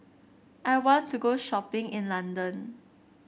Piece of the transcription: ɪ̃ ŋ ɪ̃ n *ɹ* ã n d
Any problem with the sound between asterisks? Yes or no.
yes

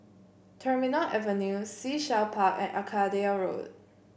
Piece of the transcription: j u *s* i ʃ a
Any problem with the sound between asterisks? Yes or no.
no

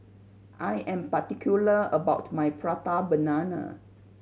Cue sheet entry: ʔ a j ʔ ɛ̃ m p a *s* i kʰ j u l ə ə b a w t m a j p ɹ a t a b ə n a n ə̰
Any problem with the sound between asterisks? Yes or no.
yes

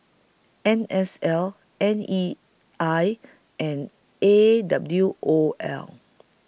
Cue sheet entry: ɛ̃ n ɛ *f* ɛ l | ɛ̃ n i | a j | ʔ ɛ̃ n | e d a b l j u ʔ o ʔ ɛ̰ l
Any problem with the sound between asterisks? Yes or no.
yes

